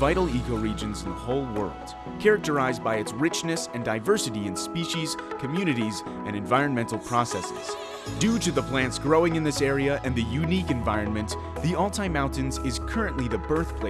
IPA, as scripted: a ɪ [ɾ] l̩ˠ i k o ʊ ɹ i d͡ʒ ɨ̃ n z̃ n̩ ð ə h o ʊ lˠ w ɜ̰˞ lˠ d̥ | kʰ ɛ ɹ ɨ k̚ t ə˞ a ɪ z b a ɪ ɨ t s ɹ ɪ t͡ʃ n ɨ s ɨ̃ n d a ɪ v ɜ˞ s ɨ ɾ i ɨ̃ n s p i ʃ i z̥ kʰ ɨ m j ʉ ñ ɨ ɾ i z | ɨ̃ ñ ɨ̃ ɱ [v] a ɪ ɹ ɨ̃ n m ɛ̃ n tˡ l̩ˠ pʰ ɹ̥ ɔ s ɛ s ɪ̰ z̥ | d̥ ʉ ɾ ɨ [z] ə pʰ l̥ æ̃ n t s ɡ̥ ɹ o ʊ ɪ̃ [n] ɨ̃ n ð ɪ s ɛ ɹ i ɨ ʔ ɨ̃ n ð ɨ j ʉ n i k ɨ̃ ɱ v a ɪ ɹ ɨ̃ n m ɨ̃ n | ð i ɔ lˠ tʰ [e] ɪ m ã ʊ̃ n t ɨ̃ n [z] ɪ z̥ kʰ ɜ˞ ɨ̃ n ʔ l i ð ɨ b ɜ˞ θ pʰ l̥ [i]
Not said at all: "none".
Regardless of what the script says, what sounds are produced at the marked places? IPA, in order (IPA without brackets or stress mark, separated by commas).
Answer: ɾ, v, ð, ŋ, a, z, e